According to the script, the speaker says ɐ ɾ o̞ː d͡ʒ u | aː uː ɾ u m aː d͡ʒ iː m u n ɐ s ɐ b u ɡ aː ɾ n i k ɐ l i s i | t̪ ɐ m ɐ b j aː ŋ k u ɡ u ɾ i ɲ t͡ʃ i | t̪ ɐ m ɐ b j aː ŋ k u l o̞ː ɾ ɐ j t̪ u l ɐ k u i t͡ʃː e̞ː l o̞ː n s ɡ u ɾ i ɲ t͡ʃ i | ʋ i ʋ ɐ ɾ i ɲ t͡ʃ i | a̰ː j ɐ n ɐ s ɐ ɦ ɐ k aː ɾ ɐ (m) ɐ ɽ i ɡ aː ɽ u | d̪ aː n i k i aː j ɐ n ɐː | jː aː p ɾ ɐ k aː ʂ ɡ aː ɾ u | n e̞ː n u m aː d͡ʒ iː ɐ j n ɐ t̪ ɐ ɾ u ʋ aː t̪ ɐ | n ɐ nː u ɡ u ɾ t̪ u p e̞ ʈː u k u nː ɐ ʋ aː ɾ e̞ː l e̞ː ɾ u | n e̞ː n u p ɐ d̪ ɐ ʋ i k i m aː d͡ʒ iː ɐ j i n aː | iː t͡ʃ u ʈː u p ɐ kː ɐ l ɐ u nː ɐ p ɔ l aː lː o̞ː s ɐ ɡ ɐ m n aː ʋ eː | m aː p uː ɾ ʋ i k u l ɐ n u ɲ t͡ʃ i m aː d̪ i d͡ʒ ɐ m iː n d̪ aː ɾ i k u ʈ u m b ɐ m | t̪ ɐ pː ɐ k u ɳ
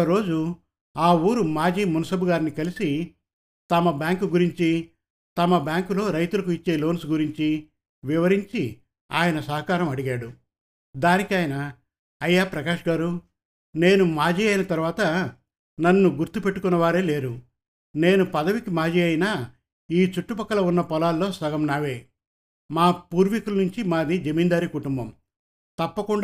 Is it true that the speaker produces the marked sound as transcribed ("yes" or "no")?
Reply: yes